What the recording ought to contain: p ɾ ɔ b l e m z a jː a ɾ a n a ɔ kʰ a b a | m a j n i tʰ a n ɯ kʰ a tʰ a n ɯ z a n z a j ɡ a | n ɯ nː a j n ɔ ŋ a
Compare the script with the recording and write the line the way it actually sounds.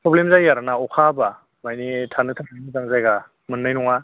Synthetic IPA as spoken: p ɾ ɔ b l e m z a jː a ɾ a n a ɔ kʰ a b a | m a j n i tʰ a n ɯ tʰ a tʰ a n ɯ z a ŋ z a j ɡ a | m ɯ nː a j n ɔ ŋ a